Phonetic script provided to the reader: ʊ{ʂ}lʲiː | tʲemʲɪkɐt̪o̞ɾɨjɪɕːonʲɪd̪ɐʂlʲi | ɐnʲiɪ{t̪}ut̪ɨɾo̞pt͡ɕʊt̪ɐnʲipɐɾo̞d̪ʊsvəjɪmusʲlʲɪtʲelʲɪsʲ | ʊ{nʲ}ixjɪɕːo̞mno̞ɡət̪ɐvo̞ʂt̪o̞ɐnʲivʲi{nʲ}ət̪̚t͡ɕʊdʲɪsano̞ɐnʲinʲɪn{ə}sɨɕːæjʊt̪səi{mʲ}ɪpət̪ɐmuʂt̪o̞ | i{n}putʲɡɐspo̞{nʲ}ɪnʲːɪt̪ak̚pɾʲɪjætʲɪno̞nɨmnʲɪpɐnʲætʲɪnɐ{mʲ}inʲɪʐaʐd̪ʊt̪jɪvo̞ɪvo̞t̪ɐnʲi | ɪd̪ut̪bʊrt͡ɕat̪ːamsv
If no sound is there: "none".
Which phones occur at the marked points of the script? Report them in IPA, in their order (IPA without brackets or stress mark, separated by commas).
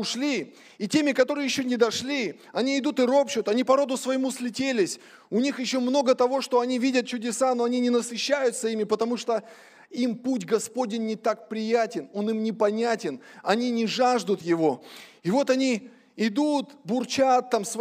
ʂ, d̪, nʲ, dʲ, ə, mʲ, m, dʲ, nʲ